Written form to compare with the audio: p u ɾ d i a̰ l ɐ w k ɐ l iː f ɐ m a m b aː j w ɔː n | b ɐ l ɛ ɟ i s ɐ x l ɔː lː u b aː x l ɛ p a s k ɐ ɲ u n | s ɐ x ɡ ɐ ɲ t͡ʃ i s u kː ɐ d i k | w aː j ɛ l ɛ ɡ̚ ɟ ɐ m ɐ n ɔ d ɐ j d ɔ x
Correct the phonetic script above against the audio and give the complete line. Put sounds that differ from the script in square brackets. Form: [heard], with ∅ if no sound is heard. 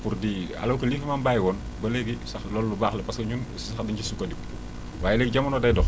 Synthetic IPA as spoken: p u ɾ d i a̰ l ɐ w k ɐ l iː f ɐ m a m b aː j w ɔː n | b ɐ l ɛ [ɡ] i s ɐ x l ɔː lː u b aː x l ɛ p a s k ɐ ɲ u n | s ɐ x [d] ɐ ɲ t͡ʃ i s u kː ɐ d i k | w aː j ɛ l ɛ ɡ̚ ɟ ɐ m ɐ n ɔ d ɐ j d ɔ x